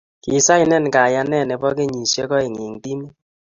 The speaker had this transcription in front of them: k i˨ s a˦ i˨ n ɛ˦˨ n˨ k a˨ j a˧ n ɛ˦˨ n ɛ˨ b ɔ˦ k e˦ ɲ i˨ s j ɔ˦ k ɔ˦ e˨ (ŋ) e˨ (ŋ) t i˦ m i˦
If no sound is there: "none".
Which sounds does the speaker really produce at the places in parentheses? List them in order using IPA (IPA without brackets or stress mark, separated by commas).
ŋ, ŋ